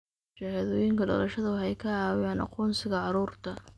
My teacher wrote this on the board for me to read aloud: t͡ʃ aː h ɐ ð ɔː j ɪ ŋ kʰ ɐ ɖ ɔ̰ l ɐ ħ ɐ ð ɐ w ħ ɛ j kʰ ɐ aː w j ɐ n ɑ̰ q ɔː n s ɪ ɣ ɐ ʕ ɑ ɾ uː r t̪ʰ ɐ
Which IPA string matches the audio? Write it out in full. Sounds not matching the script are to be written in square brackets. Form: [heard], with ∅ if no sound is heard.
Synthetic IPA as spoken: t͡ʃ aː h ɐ ð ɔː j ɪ ŋ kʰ ɐ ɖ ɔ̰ l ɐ [ʃ] ɐ ð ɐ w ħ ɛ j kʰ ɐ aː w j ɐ n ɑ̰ q ɔː n s ɪ ɣ ɐ ʕ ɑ ɾ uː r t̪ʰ ɐ